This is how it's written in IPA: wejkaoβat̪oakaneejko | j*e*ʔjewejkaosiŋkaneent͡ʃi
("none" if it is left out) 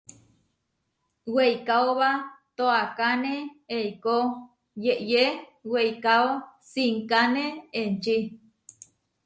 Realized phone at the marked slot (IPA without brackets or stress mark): e